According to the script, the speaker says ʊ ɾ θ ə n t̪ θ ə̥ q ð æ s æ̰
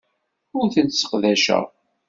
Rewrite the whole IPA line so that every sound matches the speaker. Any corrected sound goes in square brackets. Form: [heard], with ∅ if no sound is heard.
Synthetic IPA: ʊ ɾ θ ə n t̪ [s] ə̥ q ð æ [ʃ] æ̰